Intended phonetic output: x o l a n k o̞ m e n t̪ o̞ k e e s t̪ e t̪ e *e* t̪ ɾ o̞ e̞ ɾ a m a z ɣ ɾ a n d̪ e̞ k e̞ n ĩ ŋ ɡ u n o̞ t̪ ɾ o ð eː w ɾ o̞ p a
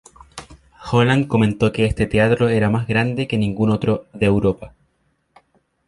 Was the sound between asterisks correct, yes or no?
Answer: no